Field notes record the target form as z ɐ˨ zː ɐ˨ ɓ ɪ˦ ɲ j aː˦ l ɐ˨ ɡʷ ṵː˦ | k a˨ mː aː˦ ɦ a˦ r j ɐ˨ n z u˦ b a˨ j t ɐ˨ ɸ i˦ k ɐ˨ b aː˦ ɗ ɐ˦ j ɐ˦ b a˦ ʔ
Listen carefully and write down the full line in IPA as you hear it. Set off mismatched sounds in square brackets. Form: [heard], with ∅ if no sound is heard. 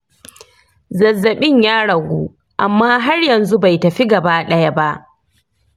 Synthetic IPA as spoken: z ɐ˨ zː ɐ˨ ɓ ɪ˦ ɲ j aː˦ [ɽ] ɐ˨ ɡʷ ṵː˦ | [ʔ] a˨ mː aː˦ ɦ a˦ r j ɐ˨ n z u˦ b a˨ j t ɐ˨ ɸ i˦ [ɡ] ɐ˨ b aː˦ ɗ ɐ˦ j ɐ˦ b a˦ ʔ